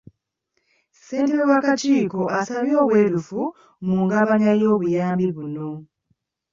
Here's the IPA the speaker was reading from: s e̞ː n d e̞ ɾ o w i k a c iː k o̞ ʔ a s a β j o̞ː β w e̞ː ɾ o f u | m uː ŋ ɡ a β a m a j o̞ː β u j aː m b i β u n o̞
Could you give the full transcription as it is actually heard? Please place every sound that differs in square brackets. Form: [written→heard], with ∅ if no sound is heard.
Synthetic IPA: s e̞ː n [d→t] e̞ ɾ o w [i→a] k a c iː k o̞ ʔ a s a β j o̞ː β w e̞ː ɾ [o→u] f u | m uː ŋ ɡ a β a [m→ɲ] a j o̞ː β u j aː m b i β u n o̞